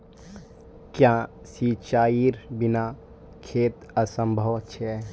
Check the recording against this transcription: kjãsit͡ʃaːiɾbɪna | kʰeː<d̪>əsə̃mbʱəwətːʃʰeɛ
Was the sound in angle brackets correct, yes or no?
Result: no